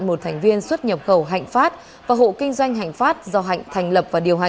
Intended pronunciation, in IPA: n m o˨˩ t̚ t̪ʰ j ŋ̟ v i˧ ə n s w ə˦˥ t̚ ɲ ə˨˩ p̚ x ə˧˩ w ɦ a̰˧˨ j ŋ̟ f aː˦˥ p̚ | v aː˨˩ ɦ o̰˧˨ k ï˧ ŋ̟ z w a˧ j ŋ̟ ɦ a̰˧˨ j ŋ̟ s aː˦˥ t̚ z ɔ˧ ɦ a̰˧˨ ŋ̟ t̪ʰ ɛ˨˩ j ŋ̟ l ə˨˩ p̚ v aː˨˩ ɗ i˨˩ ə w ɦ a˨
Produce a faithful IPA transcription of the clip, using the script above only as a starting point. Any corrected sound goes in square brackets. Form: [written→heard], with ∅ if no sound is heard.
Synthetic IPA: n m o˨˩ t̚ t̪ʰ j ŋ̟ v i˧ ə n s w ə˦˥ t̚ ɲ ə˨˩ p̚ x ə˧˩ w ɦ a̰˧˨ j ŋ̟ f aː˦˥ [p̚→t̚] | v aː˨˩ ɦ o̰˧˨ k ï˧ ŋ̟ z w a˧ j ŋ̟ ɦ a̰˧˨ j ŋ̟ [s→f] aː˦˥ t̚ z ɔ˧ ɦ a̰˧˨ ŋ̟ t̪ʰ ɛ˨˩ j ŋ̟ l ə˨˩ p̚ v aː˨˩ ɗ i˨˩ ə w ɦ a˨

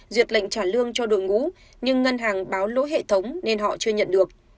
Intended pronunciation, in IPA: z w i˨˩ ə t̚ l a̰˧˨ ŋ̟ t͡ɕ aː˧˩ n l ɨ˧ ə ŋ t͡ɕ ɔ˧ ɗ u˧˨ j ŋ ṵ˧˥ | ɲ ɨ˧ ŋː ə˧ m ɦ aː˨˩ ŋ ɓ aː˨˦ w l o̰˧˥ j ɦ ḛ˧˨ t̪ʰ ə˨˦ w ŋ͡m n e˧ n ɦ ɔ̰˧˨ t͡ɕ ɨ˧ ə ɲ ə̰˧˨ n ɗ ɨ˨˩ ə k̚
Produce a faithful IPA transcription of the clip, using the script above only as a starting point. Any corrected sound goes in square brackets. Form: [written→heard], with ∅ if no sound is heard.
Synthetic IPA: z w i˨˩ ə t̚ l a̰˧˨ ŋ̟ t͡ɕ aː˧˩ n l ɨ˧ ə ŋ t͡ɕ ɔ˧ ɗ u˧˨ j ŋ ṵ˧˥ | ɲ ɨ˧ ŋː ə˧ [m→n] ɦ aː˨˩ ŋ ɓ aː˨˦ w l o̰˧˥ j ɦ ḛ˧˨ t̪ʰ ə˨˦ w ŋ͡m n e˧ n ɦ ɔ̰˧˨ t͡ɕ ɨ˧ ə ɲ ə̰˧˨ n ɗ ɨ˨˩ ə k̚

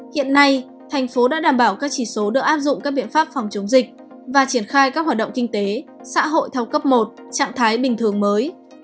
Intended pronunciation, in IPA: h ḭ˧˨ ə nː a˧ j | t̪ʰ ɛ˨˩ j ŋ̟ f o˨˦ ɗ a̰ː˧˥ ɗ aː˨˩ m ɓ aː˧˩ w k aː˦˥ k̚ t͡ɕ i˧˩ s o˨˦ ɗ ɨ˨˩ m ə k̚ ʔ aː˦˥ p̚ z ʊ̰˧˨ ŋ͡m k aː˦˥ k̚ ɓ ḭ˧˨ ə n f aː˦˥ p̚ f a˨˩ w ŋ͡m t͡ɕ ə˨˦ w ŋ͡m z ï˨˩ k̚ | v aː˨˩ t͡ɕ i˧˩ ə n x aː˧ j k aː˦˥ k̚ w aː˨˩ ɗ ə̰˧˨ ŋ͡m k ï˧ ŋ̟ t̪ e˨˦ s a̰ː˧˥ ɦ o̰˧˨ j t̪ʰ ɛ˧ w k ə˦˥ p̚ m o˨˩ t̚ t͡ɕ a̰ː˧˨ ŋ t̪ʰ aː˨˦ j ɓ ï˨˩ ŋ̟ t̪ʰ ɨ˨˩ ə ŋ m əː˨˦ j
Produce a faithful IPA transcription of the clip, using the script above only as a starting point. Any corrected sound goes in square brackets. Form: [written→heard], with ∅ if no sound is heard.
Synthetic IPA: h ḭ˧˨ ə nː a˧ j | t̪ʰ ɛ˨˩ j ŋ̟ f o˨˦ ɗ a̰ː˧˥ ɗ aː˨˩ m ɓ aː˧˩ w k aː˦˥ k̚ t͡ɕ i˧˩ s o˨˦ ɗ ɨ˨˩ [m→∅] ə k̚ ʔ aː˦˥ p̚ z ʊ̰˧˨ ŋ͡m k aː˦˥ k̚ ɓ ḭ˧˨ ə n f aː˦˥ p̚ f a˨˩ w ŋ͡m t͡ɕ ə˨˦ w ŋ͡m z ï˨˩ k̚ | v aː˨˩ t͡ɕ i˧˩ ə n x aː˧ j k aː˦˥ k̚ w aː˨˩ ɗ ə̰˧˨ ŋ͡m k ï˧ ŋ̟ t̪ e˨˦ s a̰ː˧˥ ɦ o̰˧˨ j t̪ʰ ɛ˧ w k ə˦˥ p̚ m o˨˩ t̚ t͡ɕ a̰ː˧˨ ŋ t̪ʰ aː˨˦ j ɓ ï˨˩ ŋ̟ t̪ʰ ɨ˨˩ ə ŋ m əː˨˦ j

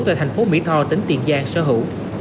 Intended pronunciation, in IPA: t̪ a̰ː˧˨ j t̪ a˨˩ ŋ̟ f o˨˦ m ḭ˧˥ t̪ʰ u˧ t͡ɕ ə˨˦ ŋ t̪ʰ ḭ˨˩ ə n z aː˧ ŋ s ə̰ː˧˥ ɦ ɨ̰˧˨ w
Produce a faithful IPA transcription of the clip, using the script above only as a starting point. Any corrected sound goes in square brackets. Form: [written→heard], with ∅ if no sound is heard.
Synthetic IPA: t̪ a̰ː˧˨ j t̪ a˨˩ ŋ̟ f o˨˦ m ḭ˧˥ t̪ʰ [u˧→ɔ˧] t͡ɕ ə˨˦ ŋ [t̪ʰ→t̪] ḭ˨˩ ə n z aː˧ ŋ s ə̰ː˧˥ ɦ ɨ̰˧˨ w

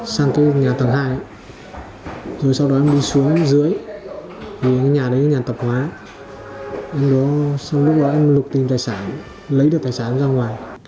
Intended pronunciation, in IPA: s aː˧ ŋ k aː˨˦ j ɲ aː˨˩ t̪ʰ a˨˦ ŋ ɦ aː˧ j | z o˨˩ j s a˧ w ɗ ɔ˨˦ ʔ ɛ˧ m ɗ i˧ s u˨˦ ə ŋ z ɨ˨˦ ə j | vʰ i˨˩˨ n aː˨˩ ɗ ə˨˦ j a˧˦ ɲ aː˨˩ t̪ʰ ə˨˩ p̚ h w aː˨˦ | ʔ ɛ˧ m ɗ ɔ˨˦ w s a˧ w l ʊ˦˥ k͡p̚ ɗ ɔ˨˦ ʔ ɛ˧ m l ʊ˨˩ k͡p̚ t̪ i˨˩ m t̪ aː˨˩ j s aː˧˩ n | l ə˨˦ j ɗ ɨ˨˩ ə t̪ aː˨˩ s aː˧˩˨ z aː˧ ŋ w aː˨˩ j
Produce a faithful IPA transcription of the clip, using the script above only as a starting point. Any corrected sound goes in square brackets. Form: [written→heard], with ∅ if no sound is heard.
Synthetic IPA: s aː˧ ŋ k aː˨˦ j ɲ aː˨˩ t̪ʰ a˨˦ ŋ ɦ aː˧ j | z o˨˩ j s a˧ w ɗ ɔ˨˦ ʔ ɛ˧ m ɗ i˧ s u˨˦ ə ŋ z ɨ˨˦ ə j | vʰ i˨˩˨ [n→ɲ] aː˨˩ ɗ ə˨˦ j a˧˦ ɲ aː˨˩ [t̪ʰ→t̪] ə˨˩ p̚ h w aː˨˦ | ʔ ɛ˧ m ɗ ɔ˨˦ [w→∅] s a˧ w l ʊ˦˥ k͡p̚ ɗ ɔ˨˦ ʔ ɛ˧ m l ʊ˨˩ k͡p̚ t̪ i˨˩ m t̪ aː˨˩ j s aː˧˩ n | l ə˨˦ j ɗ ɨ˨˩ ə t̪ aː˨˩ s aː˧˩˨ z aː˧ ŋ w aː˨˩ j

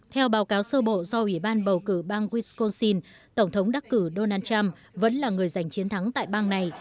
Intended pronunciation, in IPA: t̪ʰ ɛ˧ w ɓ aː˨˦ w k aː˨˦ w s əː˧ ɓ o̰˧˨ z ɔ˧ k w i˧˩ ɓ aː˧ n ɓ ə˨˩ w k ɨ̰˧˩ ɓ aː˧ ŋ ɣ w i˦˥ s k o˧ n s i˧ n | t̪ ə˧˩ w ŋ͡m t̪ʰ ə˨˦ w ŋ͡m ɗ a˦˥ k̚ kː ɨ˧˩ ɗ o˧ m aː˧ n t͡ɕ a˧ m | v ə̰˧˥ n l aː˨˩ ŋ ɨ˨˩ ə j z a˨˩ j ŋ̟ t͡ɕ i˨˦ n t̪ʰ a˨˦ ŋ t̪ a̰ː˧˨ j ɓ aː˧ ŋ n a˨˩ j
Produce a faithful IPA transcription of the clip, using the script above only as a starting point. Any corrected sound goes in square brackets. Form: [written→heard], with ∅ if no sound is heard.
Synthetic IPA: t̪ʰ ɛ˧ w ɓ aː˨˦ w k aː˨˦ w s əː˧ ɓ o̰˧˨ z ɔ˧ [k→ʔ] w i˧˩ ɓ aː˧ n ɓ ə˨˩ w k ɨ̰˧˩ ɓ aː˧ ŋ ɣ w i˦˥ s k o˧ n s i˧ n | t̪ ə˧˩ w ŋ͡m t̪ʰ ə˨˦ w ŋ͡m ɗ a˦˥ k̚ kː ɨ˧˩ ɗ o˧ [m→n] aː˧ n t͡ɕ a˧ m | v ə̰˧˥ n l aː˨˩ ŋ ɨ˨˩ ə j z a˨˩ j ŋ̟ t͡ɕ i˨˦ n t̪ʰ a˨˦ ŋ t̪ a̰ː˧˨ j ɓ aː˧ ŋ n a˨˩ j

